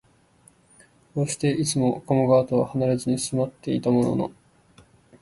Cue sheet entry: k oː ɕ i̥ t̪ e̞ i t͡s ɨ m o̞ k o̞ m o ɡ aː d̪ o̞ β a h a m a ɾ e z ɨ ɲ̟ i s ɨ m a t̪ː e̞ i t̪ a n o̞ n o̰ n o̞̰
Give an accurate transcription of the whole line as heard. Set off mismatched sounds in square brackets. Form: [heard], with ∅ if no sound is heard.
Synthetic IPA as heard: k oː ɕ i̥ t̪ e̞ i t͡s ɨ m o̞ k o̞ m o ɡ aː [t̪] o̞ β a h a [n] a ɾ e z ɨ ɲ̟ i s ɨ m a t̪ː e̞ i t̪ a [m] o̞ n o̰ n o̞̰